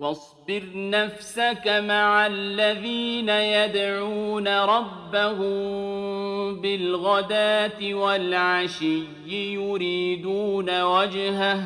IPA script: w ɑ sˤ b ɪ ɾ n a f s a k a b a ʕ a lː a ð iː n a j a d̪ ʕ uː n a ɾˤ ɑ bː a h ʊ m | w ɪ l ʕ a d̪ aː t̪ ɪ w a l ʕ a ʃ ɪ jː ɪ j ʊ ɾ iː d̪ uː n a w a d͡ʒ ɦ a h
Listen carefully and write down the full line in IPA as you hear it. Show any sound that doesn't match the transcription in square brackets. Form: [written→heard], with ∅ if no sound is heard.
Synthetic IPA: w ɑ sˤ b ɪ ɾ n a f s a k a [b→m] a ʕ a lː a ð iː n a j a d̪ ʕ uː n a ɾˤ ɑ bː a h ʊ m | [w→b] ɪ l [ʕ→ɣ] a d̪ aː t̪ ɪ w a l ʕ a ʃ ɪ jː ɪ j ʊ ɾ iː d̪ uː n a w a d͡ʒ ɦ a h